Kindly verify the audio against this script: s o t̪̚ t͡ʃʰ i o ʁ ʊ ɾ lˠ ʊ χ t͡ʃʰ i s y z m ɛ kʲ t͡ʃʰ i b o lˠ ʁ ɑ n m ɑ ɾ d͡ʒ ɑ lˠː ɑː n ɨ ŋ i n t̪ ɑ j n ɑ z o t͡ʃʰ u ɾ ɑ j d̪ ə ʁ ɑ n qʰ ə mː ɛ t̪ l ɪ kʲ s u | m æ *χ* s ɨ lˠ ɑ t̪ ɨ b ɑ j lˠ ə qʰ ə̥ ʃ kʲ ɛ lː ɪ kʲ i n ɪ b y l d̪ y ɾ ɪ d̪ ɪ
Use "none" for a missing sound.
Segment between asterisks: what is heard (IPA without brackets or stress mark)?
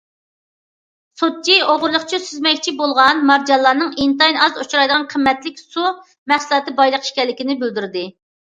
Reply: χ